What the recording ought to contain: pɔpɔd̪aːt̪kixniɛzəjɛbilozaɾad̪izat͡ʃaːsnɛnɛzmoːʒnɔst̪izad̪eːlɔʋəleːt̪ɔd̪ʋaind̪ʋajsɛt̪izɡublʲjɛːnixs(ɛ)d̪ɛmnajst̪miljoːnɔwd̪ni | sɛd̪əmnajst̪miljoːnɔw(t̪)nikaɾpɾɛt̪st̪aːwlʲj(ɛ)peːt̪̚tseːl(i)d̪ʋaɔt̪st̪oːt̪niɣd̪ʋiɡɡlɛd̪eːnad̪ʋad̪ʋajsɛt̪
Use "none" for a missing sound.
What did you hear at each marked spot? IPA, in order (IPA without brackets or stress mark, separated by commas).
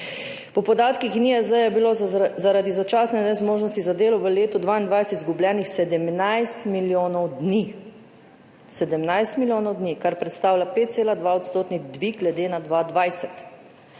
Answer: ɛ, d̪, a, a